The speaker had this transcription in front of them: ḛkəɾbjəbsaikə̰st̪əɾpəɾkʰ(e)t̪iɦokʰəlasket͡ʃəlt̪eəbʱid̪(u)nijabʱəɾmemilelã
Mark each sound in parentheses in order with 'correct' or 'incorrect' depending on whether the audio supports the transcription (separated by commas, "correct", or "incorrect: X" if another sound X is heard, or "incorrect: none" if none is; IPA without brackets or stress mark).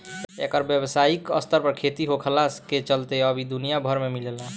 correct, correct